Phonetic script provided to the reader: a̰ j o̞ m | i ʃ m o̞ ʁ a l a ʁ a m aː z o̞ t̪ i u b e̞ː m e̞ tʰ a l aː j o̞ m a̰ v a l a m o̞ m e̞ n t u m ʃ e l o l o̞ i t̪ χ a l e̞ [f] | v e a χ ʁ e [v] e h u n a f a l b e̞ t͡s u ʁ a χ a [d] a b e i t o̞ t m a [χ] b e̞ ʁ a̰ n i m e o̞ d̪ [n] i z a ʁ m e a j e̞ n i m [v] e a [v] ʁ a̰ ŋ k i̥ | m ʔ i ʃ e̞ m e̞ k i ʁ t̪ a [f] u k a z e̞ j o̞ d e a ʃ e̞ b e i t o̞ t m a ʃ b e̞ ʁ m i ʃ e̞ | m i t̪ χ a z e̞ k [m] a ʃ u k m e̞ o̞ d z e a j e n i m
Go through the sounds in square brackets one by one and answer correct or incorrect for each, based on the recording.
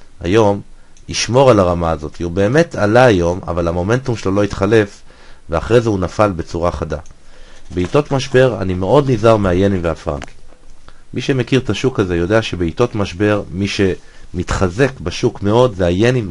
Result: correct, incorrect, correct, incorrect, correct, correct, incorrect, incorrect, incorrect

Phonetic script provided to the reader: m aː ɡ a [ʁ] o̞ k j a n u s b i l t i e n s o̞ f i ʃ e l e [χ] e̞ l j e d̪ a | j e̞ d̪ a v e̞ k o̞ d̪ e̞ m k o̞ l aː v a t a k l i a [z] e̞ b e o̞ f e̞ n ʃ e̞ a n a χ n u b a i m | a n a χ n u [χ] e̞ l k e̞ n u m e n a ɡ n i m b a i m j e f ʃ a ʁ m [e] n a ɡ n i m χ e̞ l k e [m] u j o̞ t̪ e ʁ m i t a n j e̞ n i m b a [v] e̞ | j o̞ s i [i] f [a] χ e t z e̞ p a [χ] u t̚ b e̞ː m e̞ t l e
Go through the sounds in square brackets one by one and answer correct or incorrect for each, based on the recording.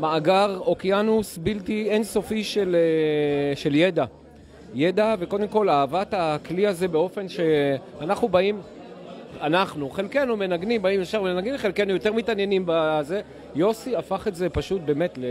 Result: correct, incorrect, correct, correct, correct, incorrect, incorrect, incorrect, correct, incorrect

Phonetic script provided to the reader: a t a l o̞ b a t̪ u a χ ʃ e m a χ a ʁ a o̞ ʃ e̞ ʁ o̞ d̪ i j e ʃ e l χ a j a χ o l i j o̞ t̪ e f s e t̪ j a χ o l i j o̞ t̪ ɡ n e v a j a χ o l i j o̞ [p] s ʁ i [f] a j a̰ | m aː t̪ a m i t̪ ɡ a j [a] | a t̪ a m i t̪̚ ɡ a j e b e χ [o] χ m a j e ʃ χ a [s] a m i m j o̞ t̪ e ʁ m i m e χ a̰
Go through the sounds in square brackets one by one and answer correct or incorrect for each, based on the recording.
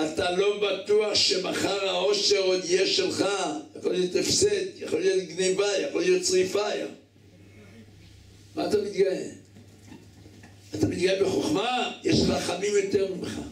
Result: incorrect, correct, incorrect, correct, incorrect

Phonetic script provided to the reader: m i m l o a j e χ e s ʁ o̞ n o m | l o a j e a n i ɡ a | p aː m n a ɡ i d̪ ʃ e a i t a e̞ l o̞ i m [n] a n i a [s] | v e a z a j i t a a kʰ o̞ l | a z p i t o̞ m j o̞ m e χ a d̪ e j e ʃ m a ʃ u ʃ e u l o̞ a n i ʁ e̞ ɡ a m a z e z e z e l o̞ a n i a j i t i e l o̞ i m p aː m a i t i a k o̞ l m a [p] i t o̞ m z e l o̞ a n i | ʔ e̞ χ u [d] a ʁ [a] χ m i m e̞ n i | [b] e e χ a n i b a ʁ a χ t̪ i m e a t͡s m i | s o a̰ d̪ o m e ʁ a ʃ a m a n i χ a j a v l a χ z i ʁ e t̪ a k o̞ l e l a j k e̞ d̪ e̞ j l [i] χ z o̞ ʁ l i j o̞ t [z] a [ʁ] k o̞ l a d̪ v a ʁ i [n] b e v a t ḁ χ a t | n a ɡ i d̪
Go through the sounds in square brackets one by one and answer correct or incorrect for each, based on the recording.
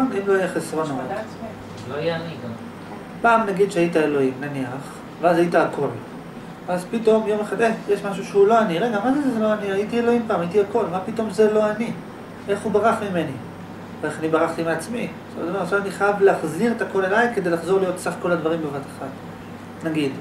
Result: correct, incorrect, correct, incorrect, correct, incorrect, incorrect, incorrect, incorrect, incorrect

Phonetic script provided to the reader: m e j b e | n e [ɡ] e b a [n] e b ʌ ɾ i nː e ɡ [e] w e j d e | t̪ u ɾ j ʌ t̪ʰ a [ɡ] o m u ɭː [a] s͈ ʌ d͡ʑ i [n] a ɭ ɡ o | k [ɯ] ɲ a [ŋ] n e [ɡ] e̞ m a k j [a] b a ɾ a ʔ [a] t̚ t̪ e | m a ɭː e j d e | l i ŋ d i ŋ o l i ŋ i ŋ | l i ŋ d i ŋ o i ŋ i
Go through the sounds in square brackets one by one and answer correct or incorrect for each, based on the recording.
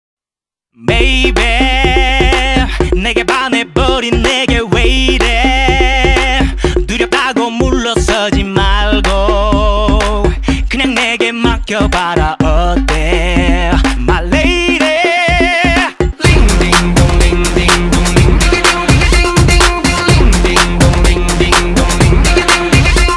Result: correct, correct, correct, correct, incorrect, incorrect, correct, correct, correct, incorrect, incorrect

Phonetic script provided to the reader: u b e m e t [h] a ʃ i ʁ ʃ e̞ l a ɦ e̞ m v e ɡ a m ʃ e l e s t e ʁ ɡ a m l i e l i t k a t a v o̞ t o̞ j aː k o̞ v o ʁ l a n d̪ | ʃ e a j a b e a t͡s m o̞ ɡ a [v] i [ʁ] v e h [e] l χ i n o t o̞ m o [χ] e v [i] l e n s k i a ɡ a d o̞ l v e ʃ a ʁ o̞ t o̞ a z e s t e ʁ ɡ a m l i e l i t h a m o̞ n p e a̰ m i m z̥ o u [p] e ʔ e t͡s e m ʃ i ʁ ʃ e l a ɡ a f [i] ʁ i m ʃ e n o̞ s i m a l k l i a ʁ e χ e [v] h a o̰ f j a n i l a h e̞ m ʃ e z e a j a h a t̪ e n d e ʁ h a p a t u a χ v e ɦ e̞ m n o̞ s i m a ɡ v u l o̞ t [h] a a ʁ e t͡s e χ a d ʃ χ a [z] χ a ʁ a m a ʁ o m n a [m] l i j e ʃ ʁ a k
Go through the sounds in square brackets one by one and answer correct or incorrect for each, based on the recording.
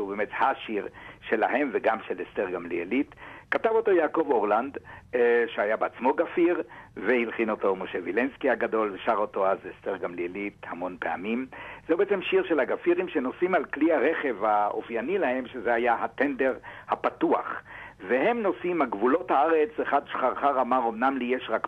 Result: correct, incorrect, correct, incorrect, incorrect, correct, incorrect, correct, correct, correct, incorrect, correct

